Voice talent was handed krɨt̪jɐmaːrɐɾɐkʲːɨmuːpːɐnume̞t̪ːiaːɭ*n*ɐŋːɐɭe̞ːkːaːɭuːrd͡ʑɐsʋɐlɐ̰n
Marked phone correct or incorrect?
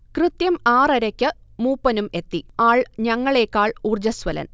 incorrect